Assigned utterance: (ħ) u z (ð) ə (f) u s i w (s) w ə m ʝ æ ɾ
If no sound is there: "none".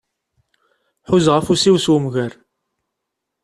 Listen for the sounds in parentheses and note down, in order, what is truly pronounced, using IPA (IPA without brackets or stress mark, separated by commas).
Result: ħ, ʁ, f, s